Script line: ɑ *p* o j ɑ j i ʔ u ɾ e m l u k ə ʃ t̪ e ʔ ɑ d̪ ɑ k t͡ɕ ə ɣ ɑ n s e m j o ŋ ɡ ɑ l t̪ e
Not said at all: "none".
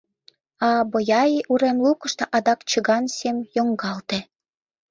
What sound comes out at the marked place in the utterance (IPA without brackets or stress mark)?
b